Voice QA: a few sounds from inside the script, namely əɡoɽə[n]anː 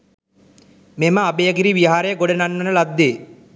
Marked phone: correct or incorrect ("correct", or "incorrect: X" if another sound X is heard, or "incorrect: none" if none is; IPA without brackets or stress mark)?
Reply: correct